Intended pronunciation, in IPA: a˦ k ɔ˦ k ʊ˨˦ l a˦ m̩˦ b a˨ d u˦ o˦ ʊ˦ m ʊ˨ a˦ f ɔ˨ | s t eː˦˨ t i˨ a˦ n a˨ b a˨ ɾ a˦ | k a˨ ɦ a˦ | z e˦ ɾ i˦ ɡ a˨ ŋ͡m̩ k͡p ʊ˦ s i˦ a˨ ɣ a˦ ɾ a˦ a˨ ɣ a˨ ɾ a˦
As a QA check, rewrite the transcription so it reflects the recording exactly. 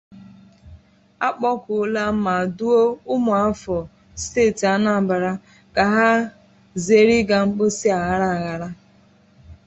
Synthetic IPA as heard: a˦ k͡p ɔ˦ k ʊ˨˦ l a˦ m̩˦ m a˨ d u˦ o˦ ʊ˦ m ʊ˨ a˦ f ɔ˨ | s t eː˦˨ t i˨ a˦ n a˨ b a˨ ɾ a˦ | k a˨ ɦ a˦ | z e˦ ɾ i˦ ɡ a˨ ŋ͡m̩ k͡p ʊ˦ s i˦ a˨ ɣ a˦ ɾ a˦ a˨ ɣ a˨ ɾ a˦